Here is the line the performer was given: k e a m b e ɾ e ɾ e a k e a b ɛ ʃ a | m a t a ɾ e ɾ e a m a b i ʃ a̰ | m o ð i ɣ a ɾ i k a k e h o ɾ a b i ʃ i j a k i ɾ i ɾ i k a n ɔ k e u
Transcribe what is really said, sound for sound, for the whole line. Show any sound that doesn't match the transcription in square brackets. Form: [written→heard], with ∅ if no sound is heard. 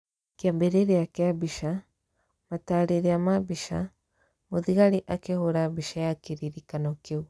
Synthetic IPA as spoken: k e a m b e ɾ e ɾ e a k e a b [ɛ→i] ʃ a | m a t a ɾ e ɾ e a m a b i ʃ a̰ | m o ð i ɣ a ɾ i [k→ʔ] a k e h o ɾ a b i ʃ [i→a] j a k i ɾ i ɾ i k a n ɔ k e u